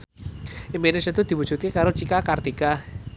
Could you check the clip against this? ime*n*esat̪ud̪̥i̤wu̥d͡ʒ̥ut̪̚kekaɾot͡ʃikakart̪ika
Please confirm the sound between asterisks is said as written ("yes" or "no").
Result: yes